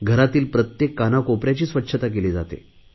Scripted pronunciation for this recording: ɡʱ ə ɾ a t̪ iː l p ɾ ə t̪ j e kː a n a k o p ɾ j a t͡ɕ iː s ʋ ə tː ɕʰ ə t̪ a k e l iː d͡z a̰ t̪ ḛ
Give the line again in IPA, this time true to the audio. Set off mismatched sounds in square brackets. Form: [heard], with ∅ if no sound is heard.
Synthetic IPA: ɡʱ ə ɾ a t̪ iː l p ɾ ə t̪ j e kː a n a k o p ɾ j a t͡ɕ iː s ʋ ə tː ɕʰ ə t̪ a k e l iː d͡z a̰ t̪ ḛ